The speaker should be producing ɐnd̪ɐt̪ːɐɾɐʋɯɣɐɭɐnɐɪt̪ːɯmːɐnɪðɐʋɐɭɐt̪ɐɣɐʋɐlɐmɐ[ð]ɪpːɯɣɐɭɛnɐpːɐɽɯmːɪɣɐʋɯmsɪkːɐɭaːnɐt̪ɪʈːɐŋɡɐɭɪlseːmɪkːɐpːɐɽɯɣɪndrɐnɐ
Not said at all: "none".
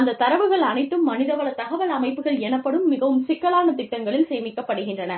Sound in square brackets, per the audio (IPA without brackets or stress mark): none